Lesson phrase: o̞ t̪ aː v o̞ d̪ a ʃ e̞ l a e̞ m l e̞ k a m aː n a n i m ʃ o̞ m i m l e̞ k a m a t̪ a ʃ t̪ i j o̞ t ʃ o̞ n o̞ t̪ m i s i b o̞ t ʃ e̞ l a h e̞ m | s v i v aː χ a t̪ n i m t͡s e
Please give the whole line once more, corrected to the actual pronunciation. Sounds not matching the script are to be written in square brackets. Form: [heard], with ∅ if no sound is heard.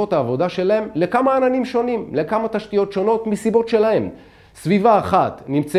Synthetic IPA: o̞ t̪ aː v o̞ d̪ a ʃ e̞ l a e̞ m l e̞ k a m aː n a n i m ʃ o̞ [n] i m l e̞ k a m a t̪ a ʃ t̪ i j o̞ t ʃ o̞ n o̞ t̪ m i s i b o̞ t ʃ e̞ l a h e̞ m | s v i v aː χ a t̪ n i m t͡s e